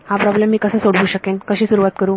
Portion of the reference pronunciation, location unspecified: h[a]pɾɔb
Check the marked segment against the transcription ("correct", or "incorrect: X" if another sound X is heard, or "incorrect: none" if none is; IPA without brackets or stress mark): correct